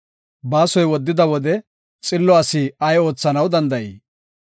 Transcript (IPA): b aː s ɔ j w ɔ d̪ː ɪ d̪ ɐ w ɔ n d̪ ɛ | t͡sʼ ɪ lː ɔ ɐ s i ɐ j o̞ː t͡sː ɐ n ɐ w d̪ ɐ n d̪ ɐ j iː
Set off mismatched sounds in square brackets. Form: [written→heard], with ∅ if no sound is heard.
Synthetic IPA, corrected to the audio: b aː s ɔ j w ɔ d̪ː ɪ d̪ ɐ w ɔ [n→∅] d̪ ɛ | t͡sʼ ɪ lː ɔ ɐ s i ɐ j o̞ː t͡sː ɐ n ɐ w d̪ ɐ n d̪ ɐ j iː